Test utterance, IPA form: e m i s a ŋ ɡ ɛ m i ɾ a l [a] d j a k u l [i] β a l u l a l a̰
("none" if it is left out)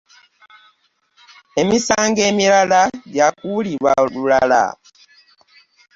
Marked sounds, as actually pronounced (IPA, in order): a, i

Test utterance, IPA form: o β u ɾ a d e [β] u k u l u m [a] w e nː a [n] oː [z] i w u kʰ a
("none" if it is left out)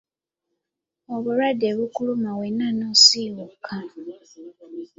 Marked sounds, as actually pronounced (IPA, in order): β, a, n, s

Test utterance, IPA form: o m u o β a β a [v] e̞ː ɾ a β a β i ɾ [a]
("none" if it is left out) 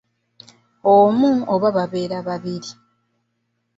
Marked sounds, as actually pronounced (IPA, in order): β, i

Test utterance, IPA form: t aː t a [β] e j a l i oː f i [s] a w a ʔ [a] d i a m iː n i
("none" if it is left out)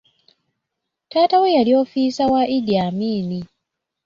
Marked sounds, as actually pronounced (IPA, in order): w, s, i

